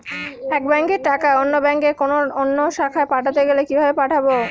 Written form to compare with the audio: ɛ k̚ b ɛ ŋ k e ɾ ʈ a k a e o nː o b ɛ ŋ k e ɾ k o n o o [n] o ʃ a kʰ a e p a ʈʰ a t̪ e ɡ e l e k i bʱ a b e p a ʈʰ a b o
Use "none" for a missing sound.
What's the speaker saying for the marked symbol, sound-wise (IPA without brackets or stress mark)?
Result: nː